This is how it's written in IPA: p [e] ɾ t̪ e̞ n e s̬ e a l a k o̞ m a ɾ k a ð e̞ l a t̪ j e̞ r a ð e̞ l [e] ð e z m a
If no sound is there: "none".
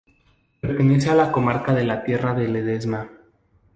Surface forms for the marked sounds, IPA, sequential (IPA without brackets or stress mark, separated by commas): e, e